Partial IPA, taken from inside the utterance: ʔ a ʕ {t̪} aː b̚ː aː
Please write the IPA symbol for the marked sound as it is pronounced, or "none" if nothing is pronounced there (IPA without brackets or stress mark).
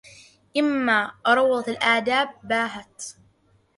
d̪